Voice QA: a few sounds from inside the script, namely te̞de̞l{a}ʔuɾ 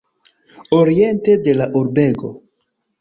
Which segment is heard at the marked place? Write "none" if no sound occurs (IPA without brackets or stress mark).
a